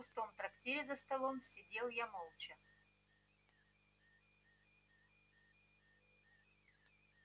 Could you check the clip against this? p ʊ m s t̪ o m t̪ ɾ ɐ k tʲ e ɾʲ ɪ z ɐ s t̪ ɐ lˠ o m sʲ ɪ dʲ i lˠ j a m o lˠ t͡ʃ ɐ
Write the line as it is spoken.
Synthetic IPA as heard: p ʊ s t̪ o m t̪ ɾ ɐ k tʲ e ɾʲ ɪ z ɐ s t̪ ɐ lˠ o m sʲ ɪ dʲ e lˠ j a m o lˠ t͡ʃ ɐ